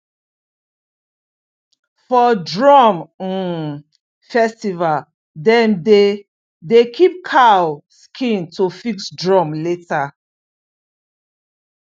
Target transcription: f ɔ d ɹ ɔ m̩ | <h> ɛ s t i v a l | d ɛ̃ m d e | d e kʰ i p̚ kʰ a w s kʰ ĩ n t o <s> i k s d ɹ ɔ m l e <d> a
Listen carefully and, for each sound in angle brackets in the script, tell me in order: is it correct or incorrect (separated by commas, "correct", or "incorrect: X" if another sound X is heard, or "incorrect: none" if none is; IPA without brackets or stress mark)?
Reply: incorrect: f, incorrect: f, incorrect: t